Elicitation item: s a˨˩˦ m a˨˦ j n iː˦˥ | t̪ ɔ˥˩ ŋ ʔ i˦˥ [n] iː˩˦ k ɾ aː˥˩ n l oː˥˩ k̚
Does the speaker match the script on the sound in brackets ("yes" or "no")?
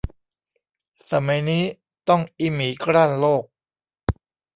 no